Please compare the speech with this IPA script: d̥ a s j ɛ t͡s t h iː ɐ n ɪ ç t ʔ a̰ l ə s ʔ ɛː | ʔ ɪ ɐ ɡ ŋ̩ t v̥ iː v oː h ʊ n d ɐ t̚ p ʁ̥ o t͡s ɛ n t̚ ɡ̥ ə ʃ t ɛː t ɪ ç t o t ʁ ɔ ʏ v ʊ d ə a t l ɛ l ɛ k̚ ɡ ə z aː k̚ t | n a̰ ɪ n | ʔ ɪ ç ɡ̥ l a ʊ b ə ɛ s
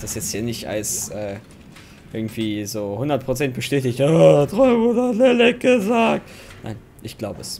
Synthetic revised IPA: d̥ a s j ɛ t͡s t h iː ɐ n ɪ ç t ʔ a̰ l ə s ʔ ɛː | ʔ ɪ ɐ ɡ ŋ̩ t v̥ iː z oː h ʊ n d ɐ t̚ p ʁ̥ o t͡s ɛ n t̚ b̥ ə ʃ t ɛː t ɪ ç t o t ʁ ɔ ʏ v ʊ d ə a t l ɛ l ɛ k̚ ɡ ə z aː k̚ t | n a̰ ɪ n | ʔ ɪ ç ɡ̥ l a ʊ b ə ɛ s